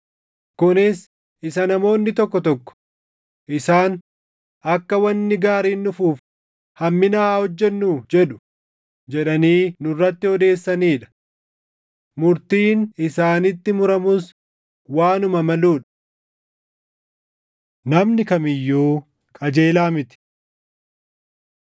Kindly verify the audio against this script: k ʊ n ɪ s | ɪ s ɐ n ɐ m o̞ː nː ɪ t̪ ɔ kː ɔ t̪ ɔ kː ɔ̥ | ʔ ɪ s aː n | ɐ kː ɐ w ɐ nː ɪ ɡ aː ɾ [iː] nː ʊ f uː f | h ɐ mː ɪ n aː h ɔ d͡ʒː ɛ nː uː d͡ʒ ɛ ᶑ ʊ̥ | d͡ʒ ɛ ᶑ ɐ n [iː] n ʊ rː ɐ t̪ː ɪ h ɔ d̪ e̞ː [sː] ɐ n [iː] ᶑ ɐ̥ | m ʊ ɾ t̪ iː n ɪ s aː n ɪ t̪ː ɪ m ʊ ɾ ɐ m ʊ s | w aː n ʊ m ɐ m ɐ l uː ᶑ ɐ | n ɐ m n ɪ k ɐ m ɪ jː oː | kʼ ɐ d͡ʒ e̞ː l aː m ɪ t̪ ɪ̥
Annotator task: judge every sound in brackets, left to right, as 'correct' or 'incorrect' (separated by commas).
correct, correct, correct, correct